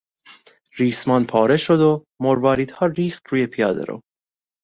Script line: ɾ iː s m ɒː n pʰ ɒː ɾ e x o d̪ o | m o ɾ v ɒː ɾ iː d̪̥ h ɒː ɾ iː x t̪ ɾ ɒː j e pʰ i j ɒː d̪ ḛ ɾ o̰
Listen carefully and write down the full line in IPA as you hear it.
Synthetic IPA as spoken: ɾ iː s m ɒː n pʰ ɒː ɾ e ʃ o d̪ o | m o ɾ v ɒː ɾ iː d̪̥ h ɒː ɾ iː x t̪ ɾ uː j e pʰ i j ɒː d̪ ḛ ɾ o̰